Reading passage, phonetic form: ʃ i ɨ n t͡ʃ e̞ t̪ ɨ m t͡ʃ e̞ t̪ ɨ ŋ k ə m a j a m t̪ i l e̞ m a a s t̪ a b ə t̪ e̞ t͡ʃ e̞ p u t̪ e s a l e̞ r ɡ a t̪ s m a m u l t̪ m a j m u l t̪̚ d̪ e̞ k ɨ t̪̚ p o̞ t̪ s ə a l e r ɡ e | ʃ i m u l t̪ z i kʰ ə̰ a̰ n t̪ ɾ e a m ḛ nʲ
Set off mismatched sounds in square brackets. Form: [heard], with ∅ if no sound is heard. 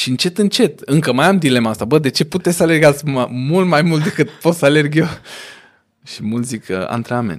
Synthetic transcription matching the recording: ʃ i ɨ n t͡ʃ e̞ t̪ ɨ [n] t͡ʃ e̞ t̪ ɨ ŋ k ə m a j a m [d̪] i l e̞ m a a s t̪ a b ə [d̪] e̞ t͡ʃ e̞ p u t̪ e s a l e̞ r ɡ a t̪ s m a m u l t̪ m a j m u l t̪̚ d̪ e̞ k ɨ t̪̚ p o̞ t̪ s ə a l e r ɡ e | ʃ i m u l t̪ z i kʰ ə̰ a̰ n t̪ ɾ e a m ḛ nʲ